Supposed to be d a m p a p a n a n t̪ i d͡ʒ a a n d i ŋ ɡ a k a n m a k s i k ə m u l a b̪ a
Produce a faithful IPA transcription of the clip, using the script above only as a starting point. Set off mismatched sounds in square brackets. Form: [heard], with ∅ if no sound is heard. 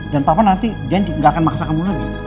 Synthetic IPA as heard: d a [n] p a p a n a n t̪ i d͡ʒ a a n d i ŋ ɡ a k a n m a k s [a] k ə m u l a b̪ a